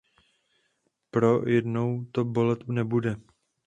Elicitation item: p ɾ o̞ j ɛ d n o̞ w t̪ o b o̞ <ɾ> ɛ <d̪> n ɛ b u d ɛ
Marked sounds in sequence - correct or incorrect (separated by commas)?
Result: incorrect, incorrect